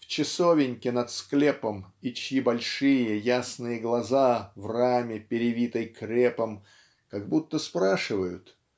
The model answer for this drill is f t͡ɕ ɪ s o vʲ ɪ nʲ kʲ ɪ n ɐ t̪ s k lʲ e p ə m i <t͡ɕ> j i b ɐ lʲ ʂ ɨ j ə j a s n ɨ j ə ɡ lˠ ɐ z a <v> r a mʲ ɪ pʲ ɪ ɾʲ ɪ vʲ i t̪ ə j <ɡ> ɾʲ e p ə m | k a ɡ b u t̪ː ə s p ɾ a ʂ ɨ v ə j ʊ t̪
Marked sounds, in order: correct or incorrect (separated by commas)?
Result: correct, correct, incorrect